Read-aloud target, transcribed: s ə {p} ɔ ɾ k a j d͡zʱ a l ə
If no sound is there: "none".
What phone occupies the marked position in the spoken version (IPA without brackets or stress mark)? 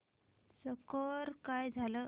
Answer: k